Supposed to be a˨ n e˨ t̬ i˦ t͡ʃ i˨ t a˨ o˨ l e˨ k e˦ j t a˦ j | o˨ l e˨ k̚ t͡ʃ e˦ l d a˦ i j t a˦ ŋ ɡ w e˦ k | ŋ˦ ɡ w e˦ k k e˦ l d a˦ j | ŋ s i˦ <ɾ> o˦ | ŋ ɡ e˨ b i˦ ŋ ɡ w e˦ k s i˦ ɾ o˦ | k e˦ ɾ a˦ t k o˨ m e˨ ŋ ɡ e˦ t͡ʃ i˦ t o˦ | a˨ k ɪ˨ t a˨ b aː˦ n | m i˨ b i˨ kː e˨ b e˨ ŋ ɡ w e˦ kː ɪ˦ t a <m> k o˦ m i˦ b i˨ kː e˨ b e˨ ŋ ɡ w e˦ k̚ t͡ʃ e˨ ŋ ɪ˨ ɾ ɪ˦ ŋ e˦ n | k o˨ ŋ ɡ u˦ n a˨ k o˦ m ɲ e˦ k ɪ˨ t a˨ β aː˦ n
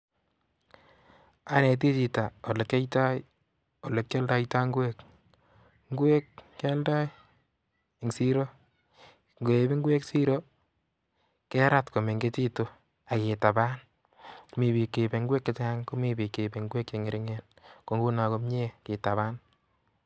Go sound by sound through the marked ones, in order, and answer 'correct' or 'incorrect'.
correct, incorrect: ŋ

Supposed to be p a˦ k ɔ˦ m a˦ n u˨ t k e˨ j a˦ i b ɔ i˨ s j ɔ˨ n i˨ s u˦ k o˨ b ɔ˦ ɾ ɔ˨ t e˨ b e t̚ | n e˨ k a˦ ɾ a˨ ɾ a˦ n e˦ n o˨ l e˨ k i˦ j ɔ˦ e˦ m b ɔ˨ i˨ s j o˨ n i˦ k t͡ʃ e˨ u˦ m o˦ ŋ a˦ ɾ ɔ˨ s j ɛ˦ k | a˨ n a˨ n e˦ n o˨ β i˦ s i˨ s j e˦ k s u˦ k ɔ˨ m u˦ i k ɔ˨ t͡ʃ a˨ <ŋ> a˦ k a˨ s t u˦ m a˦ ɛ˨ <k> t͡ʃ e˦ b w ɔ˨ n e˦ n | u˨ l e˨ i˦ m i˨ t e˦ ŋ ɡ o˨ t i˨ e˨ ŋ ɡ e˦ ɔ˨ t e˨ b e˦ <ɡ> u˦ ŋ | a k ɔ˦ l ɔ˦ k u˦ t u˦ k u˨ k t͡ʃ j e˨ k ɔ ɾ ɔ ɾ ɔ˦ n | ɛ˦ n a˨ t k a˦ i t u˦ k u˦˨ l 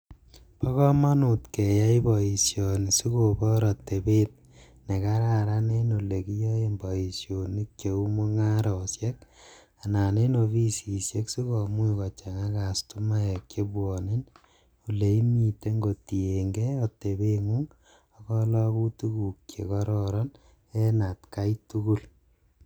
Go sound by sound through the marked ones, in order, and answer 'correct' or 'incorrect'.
correct, correct, incorrect: ŋ

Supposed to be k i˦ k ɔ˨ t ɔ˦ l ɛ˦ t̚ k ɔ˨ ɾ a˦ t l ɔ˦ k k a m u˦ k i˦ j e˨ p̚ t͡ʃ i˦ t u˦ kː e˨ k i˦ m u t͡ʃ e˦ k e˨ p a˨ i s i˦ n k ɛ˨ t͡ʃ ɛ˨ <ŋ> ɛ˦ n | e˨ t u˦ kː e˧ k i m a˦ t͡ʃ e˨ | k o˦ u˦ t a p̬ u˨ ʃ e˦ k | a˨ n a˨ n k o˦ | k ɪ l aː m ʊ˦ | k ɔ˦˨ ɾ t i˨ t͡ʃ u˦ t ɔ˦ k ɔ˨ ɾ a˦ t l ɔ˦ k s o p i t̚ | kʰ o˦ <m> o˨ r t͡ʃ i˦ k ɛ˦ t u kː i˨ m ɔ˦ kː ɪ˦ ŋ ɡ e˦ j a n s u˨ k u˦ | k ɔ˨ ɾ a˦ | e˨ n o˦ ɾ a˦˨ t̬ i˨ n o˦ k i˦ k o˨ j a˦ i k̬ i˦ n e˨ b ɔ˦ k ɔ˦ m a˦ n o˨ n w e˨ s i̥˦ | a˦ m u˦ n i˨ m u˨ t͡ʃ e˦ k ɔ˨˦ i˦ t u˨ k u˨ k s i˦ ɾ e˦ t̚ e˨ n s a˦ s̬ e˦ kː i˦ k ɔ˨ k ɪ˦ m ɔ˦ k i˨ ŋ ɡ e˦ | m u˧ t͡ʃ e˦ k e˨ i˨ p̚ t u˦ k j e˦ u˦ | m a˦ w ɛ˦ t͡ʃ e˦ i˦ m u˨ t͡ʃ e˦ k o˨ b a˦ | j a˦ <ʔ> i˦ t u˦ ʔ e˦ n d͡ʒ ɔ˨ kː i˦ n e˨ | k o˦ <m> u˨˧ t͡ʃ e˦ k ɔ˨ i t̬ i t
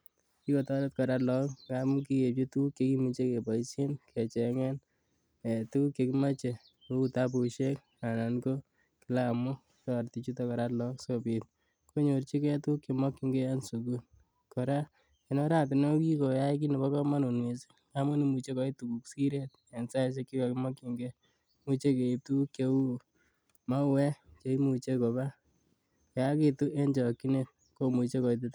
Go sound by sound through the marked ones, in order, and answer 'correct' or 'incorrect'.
correct, incorrect: ɲ, incorrect: k, correct

